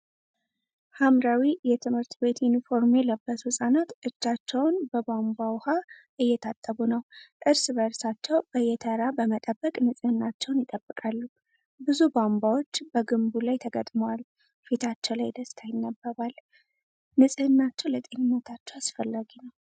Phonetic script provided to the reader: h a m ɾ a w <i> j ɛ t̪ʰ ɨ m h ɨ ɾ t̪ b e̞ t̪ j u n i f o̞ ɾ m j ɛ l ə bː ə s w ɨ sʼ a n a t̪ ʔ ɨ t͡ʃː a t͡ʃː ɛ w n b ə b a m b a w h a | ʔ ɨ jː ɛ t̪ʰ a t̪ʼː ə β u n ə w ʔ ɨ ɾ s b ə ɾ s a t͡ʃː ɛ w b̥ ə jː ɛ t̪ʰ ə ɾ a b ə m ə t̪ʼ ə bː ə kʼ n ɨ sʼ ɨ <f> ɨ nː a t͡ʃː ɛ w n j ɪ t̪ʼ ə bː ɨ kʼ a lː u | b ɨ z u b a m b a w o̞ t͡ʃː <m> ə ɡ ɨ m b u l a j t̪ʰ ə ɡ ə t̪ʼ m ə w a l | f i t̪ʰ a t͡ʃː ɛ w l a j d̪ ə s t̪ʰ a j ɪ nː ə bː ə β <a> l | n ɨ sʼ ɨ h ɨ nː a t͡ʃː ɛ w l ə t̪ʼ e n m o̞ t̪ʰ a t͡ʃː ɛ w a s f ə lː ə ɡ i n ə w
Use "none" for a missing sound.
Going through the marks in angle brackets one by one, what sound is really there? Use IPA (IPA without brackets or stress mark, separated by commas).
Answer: i, h, b, a